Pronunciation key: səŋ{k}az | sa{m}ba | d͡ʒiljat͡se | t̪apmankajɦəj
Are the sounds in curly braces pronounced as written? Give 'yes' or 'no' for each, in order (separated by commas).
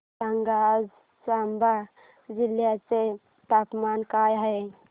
no, yes